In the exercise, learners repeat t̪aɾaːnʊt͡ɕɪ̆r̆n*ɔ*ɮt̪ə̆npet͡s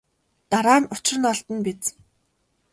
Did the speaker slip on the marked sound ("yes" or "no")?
no